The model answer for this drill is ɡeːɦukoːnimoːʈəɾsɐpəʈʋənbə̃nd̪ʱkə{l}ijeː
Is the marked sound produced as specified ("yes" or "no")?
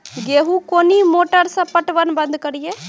no